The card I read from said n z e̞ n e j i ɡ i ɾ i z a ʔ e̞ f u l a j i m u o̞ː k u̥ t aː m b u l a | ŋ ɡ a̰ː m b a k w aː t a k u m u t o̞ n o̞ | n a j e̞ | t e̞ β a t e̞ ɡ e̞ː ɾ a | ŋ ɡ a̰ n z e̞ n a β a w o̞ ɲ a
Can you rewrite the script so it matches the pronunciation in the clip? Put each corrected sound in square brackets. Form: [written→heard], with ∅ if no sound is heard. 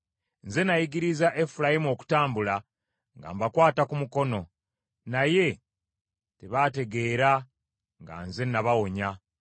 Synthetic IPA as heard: n z e̞ n [e→a] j i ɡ i ɾ i z a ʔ e̞ f u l a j i m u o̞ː k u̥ t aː m b u l a | ŋ ɡ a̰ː m b a k w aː t a k u m u [t→k] o̞ n o̞ | n a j e̞ | t e̞ β a t e̞ ɡ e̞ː ɾ a | ŋ ɡ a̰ n z e̞ n a β a w o̞ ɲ a